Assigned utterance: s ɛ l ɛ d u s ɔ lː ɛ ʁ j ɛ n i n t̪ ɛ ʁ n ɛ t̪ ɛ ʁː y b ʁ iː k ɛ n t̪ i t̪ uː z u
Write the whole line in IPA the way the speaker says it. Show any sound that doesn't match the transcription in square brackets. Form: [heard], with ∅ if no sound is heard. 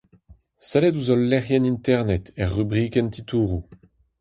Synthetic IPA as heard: s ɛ l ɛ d u [z] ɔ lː ɛ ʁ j ɛ n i n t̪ ɛ ʁ n ɛ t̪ ɛ ʁː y b ʁ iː k ɛ n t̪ i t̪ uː [ʁ] u